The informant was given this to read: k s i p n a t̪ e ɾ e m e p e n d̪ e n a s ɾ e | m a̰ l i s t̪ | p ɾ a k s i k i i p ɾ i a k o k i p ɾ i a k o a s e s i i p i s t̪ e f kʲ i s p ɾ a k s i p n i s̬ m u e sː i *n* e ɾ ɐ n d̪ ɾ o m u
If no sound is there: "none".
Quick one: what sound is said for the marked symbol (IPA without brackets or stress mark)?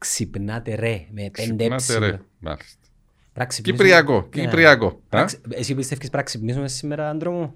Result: m